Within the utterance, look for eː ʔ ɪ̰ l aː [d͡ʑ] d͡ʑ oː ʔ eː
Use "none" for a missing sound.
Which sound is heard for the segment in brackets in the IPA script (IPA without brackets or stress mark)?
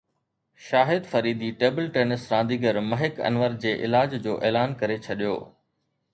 d͡ʑ